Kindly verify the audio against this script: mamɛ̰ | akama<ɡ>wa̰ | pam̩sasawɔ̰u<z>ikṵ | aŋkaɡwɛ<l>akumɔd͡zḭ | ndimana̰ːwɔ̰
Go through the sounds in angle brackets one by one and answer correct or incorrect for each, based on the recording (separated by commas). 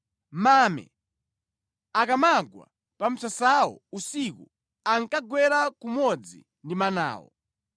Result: correct, incorrect, incorrect